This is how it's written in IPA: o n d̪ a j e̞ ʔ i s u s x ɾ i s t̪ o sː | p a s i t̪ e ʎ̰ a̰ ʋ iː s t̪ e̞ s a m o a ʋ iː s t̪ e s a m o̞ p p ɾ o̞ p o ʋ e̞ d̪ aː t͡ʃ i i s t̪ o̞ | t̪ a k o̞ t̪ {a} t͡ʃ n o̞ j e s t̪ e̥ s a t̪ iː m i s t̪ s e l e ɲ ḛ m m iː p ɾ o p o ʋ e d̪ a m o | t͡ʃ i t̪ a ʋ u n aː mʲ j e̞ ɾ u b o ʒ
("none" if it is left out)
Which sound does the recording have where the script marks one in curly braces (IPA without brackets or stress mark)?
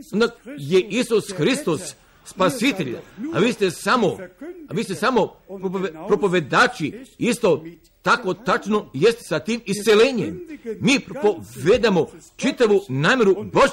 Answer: a